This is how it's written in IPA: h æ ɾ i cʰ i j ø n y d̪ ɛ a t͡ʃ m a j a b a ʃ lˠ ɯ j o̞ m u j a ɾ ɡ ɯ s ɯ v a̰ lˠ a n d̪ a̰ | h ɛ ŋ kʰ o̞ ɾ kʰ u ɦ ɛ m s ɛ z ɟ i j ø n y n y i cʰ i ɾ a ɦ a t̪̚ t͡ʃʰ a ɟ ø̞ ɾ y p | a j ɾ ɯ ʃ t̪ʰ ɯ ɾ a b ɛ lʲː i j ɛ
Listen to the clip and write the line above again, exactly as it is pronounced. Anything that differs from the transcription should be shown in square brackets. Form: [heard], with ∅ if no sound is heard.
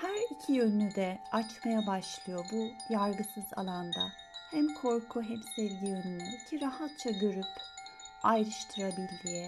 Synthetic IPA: h æ ɾ i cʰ i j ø n y d̪ ɛ a t͡ʃ m a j a b a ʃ lˠ ɯ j o̞ [b] u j a ɾ ɡ ɯ s ɯ [z] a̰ lˠ a n d̪ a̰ | h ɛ [m] kʰ o̞ ɾ kʰ u ɦ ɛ m s ɛ [v] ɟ i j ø n y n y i cʰ i ɾ a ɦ a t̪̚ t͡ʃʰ a ɟ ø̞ ɾ y p | a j ɾ ɯ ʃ t̪ʰ ɯ ɾ a b [i] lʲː i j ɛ